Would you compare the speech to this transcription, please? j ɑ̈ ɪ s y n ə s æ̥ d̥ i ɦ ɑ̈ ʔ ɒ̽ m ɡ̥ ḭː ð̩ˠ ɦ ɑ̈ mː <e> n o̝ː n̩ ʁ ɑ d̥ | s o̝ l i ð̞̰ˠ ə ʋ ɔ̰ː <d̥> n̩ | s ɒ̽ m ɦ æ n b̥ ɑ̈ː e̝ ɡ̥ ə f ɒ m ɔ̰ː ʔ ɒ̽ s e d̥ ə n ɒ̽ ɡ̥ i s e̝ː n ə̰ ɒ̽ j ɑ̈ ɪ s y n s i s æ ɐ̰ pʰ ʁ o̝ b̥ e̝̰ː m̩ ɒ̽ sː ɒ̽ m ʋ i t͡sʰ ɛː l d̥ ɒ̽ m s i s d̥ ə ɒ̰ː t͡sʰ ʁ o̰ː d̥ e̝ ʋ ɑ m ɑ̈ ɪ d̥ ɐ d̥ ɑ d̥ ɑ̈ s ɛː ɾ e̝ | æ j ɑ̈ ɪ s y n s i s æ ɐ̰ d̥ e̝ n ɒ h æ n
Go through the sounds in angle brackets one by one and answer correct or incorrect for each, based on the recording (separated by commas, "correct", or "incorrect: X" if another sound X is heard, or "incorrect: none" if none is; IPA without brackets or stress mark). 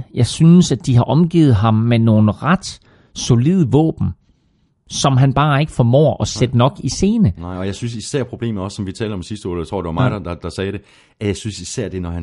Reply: correct, incorrect: b̥